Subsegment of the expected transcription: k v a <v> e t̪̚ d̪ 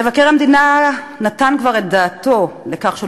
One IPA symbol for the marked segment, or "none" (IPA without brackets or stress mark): ʁ